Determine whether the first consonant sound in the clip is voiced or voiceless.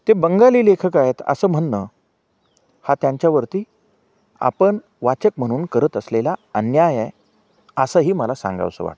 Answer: voiceless